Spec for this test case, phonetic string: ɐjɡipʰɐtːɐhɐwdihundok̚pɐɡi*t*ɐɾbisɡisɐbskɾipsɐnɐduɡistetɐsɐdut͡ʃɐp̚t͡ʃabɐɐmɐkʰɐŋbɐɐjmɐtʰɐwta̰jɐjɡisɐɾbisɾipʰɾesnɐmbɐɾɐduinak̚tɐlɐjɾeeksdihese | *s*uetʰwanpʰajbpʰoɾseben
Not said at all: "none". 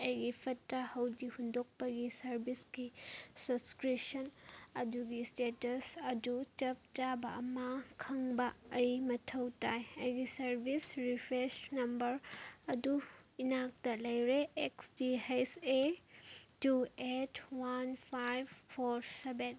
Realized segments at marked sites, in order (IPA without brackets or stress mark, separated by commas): s, t